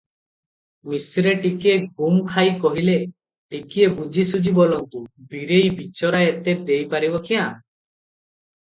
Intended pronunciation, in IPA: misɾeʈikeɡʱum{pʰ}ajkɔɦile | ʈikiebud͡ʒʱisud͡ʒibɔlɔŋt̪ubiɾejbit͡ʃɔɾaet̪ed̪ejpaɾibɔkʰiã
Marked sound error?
yes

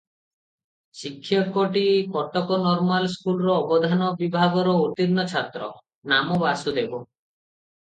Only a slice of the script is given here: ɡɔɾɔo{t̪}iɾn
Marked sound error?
no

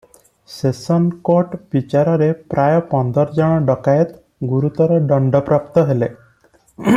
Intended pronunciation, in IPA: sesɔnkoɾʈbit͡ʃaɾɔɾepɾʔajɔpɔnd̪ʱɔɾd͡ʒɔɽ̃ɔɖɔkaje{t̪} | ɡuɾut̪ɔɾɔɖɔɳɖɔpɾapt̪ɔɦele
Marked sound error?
no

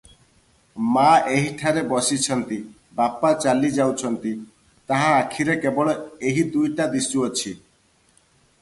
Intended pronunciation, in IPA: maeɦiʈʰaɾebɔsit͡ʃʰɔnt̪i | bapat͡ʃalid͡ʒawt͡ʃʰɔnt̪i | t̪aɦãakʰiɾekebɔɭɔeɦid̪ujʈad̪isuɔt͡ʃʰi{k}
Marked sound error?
yes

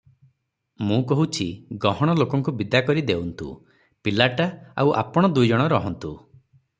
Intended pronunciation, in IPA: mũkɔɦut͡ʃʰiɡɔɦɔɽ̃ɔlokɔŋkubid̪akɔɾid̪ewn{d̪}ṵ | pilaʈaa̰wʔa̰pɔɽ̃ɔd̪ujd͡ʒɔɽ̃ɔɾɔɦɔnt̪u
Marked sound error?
yes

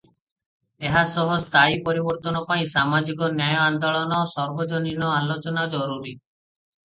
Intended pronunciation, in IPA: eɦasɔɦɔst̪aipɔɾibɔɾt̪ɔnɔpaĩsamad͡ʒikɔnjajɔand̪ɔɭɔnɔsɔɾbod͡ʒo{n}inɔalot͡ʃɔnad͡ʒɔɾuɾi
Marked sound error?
no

